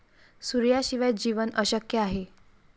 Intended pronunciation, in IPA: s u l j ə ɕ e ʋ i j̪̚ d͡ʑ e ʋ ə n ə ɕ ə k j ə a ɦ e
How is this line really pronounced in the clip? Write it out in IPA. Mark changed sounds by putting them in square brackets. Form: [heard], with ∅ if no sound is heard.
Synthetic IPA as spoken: s u [ɾ] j [a] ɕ [i] ʋ [a] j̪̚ d͡ʑ [i] ʋ ə n ə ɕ ə k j ə a ɦ e